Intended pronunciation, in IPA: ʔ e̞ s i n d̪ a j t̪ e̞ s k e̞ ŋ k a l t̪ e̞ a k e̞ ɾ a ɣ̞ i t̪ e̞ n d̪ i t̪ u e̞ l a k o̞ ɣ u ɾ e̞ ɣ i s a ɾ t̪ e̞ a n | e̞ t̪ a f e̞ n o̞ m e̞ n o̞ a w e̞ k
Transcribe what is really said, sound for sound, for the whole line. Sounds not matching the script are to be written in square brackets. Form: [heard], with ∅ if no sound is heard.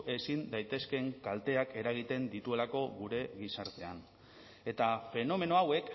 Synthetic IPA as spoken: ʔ e̞ s i n d̪ a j t̪ e̞ s k e̞ ŋ k a l t̪ e̞ a k e̞ ɾ a ɣ̞ i t̪ e̞ n d̪ i t̪ u e̞ l a k o̞ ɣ u ɾ e̞ ɣ i s a ɾ t̪ e̞ a n | e̞ t̪ a f e̞ n o̞ m e̞ n o̞ a w e̞ k